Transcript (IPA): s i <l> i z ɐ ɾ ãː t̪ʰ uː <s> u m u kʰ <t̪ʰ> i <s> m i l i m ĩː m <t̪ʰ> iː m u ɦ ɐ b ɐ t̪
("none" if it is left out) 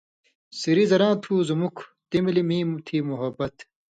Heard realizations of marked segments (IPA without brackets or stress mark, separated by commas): ɾ, z, t̪, none, t̪ʰ